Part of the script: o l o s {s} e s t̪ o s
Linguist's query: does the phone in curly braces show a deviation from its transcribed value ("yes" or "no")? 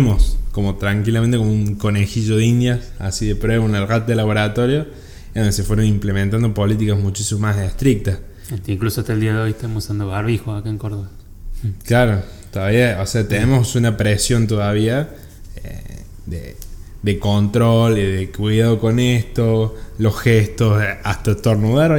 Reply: yes